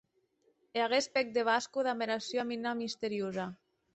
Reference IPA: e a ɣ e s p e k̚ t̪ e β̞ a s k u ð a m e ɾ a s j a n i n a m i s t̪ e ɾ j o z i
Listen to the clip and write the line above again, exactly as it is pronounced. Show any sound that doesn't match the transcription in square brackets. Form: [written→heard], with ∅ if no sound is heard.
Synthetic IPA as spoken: e a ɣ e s p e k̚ [t̪→d̪] e β̞ a s k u ð a m e ɾ a s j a [n→m] i n a m i s t̪ e ɾ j o z [i→a]